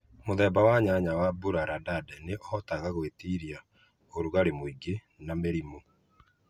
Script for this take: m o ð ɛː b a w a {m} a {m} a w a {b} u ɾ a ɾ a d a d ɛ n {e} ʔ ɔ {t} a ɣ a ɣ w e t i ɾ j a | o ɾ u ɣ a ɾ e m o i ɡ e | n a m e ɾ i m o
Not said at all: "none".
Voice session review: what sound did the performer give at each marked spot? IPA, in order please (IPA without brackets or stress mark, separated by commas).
ɲ, ɲ, b, e, t